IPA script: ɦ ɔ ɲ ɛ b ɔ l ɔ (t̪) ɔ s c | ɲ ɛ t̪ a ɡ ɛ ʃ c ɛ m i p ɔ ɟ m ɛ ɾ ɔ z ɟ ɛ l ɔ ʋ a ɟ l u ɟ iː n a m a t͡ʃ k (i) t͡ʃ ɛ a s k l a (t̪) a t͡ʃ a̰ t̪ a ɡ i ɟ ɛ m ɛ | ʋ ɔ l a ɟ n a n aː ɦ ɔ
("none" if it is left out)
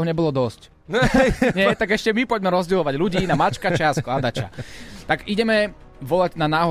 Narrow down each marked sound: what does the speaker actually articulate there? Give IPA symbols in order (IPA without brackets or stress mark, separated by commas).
d̪, a, d̪